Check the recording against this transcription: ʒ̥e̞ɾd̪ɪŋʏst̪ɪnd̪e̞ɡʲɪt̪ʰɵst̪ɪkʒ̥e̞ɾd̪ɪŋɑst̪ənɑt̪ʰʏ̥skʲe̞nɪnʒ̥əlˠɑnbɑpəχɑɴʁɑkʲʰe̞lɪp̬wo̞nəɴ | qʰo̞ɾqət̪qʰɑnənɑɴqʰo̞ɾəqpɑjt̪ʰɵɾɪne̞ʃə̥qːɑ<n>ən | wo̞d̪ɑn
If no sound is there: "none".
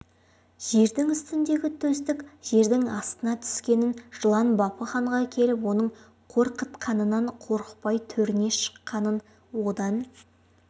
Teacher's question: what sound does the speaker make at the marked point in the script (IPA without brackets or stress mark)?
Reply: n